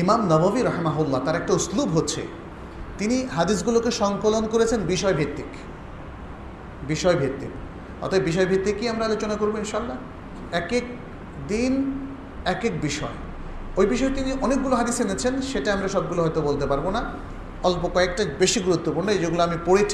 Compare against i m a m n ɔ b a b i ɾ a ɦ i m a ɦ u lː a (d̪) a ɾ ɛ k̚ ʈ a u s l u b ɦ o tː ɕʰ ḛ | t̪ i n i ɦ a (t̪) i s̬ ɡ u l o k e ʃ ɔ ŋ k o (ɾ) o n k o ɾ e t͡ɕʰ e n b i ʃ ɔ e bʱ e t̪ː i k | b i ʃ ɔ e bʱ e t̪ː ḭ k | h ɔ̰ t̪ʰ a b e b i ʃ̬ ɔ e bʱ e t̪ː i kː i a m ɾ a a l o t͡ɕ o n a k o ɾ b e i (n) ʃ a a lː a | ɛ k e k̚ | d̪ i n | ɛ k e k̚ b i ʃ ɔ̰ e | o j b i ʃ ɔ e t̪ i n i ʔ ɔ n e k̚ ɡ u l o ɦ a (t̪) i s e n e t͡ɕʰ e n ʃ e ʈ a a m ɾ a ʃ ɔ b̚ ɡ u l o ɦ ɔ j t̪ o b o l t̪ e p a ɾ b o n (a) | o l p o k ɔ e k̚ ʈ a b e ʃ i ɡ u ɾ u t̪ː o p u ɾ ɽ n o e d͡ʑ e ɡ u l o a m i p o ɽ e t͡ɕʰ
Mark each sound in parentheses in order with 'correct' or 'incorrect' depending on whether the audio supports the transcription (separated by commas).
incorrect, incorrect, incorrect, correct, incorrect, correct